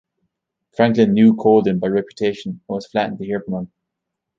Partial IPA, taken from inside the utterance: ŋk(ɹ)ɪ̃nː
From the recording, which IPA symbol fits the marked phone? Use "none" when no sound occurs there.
l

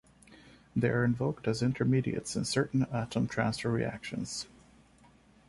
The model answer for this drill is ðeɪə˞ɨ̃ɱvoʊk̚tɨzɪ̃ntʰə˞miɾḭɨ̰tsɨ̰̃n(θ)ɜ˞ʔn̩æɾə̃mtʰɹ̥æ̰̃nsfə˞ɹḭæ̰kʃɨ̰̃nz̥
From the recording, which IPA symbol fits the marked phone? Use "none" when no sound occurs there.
s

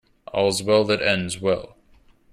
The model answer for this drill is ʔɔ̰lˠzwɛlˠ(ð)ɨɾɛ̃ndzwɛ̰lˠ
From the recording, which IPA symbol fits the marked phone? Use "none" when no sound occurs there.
ð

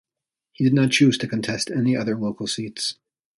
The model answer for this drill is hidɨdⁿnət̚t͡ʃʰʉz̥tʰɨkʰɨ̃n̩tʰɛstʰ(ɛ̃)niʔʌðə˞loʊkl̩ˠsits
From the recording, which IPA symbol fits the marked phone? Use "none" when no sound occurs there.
ɛ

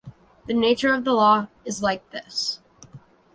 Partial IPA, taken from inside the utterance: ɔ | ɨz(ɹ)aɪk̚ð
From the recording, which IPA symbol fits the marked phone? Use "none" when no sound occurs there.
l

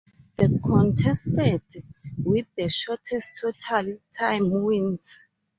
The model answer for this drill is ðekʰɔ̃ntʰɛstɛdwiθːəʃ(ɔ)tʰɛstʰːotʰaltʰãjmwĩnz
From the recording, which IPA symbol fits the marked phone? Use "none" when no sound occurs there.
ɔ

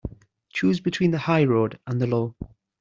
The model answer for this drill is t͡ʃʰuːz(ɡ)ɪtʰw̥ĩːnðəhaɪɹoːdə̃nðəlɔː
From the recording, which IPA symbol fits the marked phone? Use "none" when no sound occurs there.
b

